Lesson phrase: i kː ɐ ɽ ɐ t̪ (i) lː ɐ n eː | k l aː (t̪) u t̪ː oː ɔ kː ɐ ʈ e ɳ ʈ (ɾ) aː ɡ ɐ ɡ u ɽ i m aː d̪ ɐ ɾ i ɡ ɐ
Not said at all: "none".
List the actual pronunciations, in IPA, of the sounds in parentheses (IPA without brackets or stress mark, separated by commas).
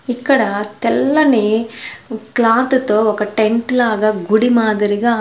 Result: ɛ, t̪, l